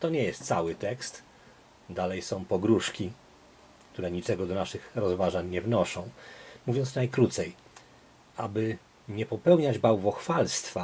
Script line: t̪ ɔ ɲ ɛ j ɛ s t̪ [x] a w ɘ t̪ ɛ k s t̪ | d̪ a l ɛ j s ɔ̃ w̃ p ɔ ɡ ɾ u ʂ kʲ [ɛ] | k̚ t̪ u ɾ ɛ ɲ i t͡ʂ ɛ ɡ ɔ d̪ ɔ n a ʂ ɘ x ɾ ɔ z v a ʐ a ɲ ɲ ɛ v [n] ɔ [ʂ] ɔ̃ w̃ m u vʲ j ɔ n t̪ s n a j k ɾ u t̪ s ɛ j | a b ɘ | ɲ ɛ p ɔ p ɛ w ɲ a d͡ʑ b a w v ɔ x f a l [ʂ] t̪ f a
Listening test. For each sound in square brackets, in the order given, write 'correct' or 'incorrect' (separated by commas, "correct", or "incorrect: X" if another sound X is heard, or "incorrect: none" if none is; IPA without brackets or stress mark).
incorrect: s, incorrect: i, correct, correct, incorrect: s